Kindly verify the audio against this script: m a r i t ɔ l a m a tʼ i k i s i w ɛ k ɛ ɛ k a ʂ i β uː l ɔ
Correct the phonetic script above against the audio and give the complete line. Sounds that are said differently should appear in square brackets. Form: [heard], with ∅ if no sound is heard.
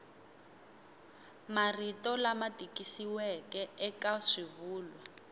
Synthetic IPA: m a r i t ɔ l a m a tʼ i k i s i w ɛ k ɛ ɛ k a ʂ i β uː l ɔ